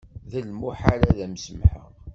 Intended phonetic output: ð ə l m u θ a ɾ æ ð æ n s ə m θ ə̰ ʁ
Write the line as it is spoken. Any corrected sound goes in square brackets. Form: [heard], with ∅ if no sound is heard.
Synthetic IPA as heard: ð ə l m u [ħ] a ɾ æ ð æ [m] s ə m [ħ] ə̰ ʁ